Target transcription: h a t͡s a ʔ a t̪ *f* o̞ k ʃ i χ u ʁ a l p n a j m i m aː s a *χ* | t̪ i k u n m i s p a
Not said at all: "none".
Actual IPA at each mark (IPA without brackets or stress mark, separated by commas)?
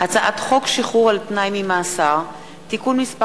χ, ʁ